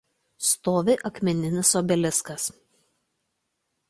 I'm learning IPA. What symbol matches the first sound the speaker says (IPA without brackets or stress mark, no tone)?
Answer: s